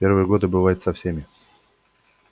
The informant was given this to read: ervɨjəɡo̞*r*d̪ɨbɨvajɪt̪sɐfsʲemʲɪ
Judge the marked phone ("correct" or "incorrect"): incorrect